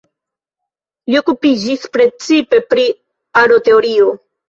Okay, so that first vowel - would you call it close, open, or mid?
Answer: close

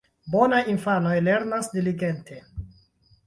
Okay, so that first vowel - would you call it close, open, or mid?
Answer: mid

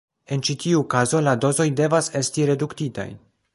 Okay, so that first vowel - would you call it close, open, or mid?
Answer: mid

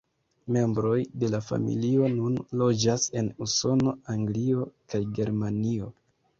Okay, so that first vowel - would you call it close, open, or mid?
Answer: mid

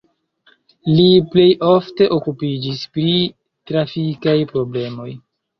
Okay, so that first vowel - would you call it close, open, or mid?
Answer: close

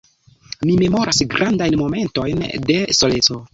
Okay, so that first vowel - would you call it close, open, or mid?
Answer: close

